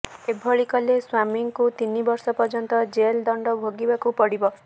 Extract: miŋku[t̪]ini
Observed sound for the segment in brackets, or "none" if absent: t̪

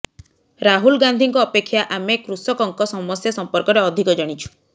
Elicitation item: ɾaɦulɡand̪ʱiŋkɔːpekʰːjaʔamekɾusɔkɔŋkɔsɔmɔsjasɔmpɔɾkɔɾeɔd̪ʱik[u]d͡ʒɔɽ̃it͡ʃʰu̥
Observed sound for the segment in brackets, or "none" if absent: ɔ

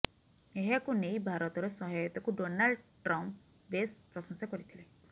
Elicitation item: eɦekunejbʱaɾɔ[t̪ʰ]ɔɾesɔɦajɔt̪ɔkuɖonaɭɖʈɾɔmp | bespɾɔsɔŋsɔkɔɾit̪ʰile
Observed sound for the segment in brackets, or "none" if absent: t̪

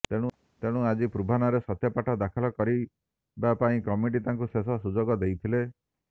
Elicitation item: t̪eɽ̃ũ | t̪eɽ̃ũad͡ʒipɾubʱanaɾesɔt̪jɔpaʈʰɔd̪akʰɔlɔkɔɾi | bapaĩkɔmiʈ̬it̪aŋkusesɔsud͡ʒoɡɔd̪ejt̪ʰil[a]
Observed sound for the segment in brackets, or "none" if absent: e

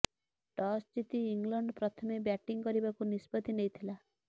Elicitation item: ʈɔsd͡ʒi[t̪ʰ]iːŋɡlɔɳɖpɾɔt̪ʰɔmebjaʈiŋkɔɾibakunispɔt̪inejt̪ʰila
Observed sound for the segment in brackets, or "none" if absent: t̪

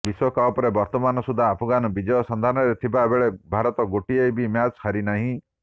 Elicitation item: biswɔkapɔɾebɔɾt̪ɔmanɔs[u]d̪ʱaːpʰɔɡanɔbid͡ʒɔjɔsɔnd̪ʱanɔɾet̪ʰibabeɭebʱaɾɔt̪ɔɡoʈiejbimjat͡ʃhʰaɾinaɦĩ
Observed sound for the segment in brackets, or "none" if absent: u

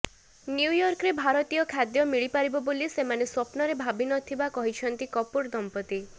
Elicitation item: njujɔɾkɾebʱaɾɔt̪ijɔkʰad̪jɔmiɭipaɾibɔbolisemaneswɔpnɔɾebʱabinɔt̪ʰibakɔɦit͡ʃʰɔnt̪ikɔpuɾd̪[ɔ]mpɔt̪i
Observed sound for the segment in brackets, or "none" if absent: ɔ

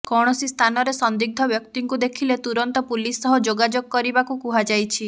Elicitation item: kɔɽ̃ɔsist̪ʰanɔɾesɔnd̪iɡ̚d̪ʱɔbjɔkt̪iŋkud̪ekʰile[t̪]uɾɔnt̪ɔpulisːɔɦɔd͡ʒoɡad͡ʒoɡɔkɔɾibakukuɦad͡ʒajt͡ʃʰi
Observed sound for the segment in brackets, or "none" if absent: t̪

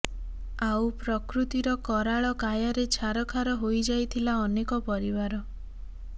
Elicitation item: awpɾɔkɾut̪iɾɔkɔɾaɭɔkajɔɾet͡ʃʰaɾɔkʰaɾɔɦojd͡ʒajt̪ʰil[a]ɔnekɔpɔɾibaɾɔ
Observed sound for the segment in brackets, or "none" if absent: a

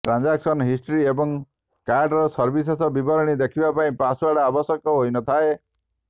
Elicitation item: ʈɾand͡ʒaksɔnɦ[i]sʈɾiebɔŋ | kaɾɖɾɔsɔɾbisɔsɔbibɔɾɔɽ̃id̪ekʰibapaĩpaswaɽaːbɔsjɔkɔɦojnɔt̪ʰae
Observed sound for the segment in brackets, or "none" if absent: i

